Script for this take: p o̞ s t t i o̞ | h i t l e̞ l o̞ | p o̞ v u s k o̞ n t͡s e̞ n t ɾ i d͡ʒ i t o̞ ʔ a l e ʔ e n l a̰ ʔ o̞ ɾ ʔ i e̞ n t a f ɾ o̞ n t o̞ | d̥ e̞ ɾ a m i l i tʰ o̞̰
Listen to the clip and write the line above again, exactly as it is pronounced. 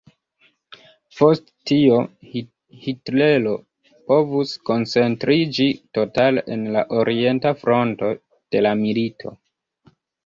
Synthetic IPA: p o̞ s t t i o̞ | h i t l e̞ l o̞ | p o̞ v u s k o̞ n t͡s e̞ n t ɾ i d͡ʒ i t o̞ t a l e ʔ e n l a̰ ʔ o̞ ɾ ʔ i e̞ n t a f ɾ o̞ n t o̞ | d̥ e̞ l a m i l i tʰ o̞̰